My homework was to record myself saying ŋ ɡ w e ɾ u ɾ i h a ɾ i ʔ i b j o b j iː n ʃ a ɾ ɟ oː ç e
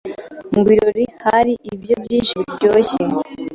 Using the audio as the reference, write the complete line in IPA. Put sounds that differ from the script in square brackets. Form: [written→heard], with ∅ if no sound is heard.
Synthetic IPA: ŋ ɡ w [e→i] ɾ [u→o] ɾ i h a ɾ i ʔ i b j o b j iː n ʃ [a→i] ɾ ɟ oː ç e

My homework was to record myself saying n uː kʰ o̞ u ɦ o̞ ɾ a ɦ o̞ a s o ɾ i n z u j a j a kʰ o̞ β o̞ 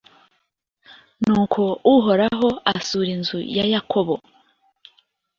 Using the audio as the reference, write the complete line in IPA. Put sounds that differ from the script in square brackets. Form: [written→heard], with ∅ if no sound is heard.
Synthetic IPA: n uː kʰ o̞ u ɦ o̞ ɾ a ɦ o̞ a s [o→u] ɾ i n z u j a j a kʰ o̞ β o̞

